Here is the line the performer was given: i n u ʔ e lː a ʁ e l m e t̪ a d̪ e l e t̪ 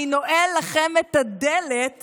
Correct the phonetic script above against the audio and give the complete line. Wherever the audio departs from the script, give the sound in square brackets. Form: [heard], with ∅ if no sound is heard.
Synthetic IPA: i n [o] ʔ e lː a [χ] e [∅] m e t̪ a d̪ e l e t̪